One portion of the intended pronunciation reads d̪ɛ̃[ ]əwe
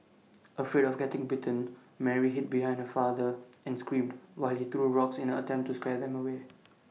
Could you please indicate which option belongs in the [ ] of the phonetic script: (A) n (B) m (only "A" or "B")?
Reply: B